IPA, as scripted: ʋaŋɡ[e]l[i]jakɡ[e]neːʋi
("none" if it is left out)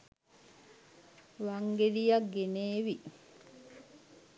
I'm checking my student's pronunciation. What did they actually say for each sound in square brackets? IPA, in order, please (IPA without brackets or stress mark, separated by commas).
e, i, e